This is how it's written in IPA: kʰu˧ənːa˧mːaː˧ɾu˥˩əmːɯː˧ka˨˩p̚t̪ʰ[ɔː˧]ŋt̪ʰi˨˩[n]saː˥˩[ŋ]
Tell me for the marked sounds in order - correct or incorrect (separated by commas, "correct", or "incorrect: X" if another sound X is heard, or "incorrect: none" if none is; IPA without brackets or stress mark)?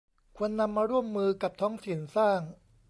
incorrect: ɔː˦˥, correct, correct